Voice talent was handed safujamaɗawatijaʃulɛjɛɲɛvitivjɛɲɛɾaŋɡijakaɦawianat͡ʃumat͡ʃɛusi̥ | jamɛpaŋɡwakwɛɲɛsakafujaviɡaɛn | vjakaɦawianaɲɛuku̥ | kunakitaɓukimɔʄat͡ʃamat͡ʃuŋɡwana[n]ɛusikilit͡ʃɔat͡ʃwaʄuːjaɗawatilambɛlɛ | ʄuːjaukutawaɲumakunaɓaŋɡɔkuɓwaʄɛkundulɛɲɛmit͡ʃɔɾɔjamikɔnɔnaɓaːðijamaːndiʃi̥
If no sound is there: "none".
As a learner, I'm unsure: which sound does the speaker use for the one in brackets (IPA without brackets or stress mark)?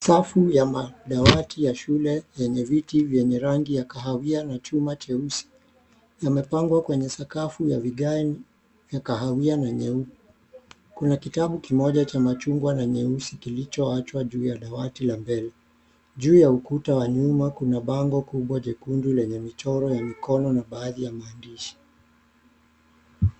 ɲ